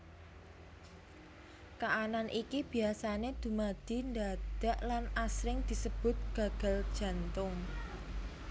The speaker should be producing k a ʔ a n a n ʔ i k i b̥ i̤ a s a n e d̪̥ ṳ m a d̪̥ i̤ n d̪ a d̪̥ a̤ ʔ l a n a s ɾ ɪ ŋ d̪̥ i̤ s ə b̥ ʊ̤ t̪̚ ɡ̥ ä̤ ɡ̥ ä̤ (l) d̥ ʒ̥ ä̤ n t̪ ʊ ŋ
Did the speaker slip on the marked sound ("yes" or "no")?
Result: no